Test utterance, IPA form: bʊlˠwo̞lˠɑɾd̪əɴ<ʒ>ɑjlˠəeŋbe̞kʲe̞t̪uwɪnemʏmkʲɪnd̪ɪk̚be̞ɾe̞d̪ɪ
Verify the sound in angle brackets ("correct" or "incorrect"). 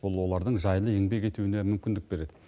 correct